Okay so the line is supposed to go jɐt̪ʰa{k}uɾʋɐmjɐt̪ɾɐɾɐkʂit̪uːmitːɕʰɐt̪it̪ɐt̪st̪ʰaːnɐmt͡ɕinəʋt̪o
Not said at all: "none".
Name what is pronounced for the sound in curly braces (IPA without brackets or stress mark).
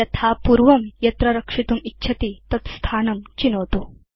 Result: p